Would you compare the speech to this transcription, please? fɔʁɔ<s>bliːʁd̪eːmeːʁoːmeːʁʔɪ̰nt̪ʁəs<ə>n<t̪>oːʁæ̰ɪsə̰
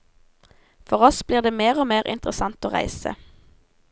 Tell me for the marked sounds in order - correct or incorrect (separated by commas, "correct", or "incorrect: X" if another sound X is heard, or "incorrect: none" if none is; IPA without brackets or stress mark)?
correct, incorrect: ɑ, correct